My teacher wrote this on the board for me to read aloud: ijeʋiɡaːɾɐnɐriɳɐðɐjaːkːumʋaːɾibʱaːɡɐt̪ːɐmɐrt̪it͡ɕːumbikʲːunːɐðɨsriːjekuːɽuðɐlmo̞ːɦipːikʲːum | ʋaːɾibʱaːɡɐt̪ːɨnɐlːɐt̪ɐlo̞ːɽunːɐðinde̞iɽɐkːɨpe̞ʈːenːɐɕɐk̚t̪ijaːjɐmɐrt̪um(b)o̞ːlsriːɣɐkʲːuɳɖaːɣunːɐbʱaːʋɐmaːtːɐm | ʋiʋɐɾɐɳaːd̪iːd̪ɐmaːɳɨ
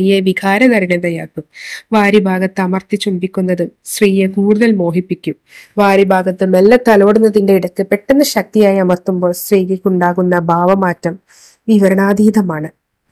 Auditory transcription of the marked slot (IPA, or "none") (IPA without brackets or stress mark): b